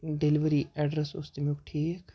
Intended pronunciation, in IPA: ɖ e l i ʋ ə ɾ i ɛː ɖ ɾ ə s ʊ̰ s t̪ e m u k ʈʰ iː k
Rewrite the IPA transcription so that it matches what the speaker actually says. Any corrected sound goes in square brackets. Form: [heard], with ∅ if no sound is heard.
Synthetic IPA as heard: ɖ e l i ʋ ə ɾ i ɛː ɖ ɾ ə s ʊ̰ s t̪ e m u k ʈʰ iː k